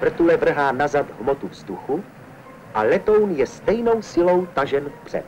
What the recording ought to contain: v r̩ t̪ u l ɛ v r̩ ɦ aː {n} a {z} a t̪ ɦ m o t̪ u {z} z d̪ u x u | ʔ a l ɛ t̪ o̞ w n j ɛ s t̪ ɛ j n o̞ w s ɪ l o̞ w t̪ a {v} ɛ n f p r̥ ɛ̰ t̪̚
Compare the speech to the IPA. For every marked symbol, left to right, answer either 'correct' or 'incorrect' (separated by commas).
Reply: correct, correct, incorrect, incorrect